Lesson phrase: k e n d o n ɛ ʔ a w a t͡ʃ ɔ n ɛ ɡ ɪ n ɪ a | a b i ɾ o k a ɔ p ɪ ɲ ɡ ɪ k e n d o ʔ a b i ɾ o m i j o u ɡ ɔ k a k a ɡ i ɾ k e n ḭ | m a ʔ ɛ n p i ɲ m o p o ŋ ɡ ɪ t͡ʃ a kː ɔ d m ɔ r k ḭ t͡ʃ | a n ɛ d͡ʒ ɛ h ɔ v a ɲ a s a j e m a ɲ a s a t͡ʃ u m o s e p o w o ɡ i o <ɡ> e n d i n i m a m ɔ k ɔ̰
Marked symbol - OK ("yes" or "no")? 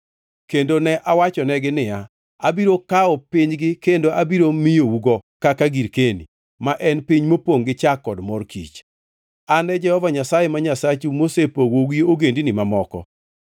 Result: yes